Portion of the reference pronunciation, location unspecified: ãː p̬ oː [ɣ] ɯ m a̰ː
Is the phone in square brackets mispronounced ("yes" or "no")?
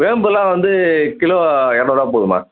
yes